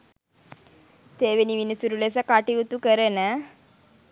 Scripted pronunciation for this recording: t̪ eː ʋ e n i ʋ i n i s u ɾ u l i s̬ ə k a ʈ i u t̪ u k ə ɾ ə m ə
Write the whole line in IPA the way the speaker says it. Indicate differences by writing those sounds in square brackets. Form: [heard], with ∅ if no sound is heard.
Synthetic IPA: t̪ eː ʋ e n i ʋ i n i s u ɾ u l [e] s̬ ə k a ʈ i u t̪ u k ə ɾ ə [n] ə